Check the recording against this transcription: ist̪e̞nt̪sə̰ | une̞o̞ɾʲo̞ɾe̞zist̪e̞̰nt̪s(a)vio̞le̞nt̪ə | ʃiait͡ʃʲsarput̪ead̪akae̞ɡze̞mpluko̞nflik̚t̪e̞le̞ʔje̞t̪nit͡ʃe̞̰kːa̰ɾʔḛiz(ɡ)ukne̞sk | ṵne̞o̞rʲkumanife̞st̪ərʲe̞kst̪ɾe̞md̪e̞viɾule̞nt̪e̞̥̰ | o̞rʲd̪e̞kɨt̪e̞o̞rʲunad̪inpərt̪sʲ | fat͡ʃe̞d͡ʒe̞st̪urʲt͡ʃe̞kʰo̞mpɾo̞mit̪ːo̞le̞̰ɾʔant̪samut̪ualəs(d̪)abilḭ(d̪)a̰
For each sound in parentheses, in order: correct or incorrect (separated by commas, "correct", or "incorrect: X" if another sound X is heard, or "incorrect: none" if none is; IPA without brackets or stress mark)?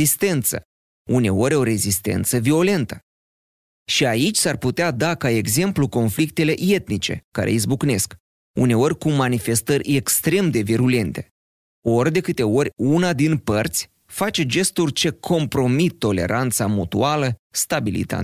incorrect: ə, incorrect: b, incorrect: t̪, incorrect: t̪